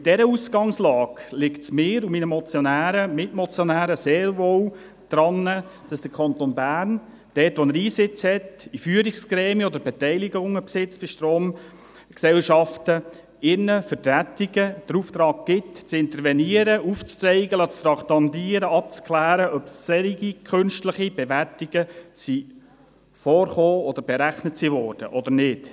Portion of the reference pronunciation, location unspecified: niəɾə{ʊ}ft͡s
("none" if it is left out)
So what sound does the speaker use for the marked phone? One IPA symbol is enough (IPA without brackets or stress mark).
u